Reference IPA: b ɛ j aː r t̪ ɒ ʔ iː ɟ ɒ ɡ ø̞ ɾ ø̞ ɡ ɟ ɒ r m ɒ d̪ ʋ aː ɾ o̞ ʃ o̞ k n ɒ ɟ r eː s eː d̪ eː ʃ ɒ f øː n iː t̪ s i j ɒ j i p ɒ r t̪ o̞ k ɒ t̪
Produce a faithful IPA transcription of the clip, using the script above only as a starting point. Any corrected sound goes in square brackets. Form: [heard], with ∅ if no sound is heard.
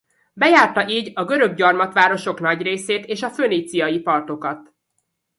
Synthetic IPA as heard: b ɛ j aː r t̪ ɒ ʔ iː ɟ ɒ ɡ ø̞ ɾ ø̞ ɡ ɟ ɒ r m ɒ [t̪] ʋ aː ɾ o̞ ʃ o̞ k n ɒ ɟ r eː s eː [t̪] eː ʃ ɒ f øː n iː t̪ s i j ɒ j i p ɒ r t̪ o̞ k ɒ t̪